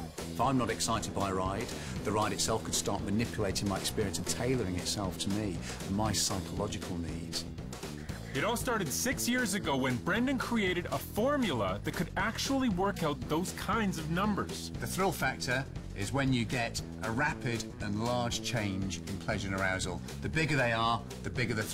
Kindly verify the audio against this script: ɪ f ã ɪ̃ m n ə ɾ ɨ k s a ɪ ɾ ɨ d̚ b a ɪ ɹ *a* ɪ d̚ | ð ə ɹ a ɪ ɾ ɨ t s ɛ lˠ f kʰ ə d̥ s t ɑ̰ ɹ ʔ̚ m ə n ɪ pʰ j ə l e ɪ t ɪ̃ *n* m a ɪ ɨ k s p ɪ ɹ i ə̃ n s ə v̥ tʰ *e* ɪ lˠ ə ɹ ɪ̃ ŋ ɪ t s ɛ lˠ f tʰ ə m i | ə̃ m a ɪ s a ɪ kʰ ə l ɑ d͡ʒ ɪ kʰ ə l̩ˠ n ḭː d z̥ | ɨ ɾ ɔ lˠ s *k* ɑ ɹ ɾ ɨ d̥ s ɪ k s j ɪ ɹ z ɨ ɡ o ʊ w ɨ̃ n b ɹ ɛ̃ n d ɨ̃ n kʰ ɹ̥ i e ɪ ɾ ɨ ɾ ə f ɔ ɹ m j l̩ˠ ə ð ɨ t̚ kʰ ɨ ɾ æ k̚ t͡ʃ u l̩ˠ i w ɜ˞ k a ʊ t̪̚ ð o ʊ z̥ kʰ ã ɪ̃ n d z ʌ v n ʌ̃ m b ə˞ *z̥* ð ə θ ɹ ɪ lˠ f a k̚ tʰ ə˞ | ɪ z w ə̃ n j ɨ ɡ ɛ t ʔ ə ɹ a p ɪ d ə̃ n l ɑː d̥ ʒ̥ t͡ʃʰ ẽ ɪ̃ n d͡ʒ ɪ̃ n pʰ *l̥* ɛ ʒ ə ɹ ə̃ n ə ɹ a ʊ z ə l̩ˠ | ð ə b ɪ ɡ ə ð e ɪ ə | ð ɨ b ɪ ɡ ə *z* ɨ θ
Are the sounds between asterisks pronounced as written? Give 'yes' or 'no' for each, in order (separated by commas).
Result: yes, no, yes, no, yes, yes, no